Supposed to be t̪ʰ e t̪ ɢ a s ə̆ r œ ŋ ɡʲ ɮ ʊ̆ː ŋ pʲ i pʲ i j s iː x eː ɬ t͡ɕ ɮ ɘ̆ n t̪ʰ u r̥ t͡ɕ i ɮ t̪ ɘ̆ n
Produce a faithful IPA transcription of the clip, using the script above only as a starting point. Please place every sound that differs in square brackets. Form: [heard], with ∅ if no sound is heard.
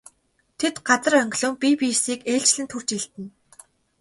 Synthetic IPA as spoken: t̪ʰ e t̪ ɢ a [t͡s] ə̆ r œ ŋ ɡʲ ɮ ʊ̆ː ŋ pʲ i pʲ i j s iː [k] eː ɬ t͡ɕ ɮ ɘ̆ n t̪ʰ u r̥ t͡ɕ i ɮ t̪ ɘ̆ n